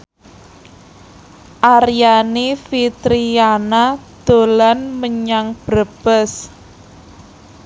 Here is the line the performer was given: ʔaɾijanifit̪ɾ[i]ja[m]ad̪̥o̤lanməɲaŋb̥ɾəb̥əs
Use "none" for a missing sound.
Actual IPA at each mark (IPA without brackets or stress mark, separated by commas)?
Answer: i, n